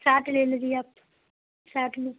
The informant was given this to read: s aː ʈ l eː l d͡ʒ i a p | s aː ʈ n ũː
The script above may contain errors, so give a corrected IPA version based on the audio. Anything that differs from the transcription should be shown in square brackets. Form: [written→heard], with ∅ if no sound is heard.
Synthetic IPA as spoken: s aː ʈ l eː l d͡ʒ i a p | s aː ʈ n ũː